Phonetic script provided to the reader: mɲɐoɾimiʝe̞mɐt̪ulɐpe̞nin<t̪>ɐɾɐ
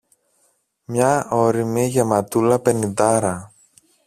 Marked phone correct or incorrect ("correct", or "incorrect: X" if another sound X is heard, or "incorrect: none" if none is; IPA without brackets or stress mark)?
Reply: incorrect: d̪